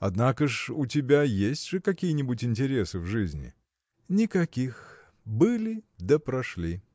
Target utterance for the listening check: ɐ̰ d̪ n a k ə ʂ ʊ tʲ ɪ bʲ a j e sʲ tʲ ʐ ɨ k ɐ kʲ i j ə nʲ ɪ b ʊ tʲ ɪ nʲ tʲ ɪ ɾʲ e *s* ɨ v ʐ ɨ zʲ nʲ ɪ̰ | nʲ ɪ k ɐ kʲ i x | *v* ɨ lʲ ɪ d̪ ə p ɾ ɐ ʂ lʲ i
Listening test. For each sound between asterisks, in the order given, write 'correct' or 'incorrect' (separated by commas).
correct, incorrect